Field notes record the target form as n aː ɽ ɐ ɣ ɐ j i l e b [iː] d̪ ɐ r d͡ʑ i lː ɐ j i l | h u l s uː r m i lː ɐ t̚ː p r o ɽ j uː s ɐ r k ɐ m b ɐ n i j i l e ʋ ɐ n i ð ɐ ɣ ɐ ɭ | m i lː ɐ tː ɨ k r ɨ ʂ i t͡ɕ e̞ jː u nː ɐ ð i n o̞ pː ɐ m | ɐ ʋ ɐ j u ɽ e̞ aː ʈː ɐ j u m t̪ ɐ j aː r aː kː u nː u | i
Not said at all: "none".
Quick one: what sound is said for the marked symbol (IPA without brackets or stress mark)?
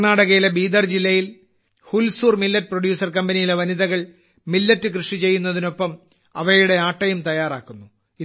iː